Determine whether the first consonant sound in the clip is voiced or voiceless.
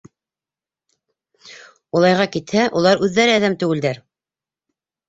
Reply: voiced